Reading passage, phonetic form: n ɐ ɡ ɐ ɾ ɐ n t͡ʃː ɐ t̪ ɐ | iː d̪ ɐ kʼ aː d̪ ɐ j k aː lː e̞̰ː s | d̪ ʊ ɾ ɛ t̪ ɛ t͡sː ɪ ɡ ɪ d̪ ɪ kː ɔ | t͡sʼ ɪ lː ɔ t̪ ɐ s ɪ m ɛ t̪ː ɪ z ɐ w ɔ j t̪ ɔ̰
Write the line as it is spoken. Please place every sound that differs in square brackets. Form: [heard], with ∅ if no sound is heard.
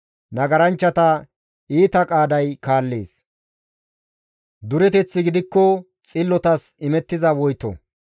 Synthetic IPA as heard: n ɐ ɡ ɐ ɾ ɐ n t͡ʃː ɐ t̪ ɐ | iː [t̪] ɐ kʼ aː d̪ ɐ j k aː lː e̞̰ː s | d̪ ʊ ɾ ɛ t̪ ɛ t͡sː ɪ ɡ ɪ d̪ ɪ kː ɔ | t͡sʼ ɪ lː ɔ t̪ ɐ s ɪ m ɛ t̪ː ɪ z ɐ w ɔ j t̪ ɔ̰